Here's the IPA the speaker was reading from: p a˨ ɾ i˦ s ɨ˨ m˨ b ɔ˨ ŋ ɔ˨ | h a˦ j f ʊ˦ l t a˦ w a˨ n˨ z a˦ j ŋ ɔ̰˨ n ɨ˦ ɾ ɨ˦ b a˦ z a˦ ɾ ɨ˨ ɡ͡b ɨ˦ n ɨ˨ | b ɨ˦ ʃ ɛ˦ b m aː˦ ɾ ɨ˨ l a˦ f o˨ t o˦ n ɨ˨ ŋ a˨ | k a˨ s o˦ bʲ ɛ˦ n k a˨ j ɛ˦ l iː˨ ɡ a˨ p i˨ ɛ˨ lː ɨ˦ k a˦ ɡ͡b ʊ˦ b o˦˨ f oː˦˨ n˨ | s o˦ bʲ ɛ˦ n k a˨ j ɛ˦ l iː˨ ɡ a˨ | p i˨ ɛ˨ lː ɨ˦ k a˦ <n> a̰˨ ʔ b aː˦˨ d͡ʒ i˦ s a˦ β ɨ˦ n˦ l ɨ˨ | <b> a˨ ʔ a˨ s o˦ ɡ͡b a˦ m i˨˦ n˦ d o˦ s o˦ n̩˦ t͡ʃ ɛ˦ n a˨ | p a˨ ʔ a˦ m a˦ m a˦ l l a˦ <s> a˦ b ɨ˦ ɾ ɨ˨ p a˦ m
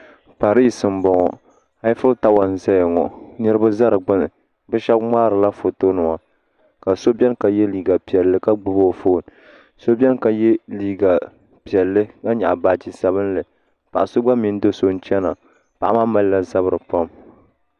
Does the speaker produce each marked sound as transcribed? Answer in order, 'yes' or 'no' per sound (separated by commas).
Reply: no, no, no